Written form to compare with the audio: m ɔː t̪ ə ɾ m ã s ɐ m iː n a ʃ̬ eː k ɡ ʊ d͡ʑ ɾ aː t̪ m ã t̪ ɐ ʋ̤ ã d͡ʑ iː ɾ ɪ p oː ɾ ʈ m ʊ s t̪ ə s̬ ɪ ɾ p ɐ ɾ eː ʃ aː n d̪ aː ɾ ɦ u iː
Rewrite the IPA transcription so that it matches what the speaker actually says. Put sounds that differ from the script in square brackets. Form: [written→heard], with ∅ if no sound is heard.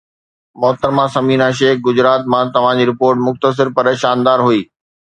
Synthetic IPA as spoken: m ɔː t̪ ə ɾ m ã s ɐ m iː n a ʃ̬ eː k ɡ ʊ d͡ʑ ɾ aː t̪ m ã t̪ ɐ ʋ̤ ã d͡ʑ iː ɾ ɪ p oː ɾ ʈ m ʊ [s→x] t̪ ə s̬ ɪ ɾ p ɐ ɾ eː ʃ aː n d̪ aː ɾ ɦ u iː